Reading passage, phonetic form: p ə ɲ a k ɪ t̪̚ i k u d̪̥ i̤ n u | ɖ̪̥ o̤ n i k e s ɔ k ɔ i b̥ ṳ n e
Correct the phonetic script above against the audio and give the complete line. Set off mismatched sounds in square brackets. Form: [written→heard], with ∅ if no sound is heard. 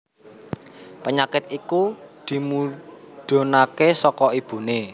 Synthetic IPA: p ə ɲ a k ɪ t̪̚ i k u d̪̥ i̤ [n→m] u | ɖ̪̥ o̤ n [i→a] k e s ɔ k ɔ i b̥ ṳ n e